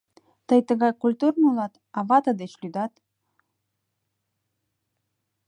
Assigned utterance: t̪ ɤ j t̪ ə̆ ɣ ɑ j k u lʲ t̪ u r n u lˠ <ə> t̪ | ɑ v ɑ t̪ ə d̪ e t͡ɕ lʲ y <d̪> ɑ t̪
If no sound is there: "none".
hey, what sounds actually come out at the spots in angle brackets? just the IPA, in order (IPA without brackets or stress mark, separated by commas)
ɑ, d̪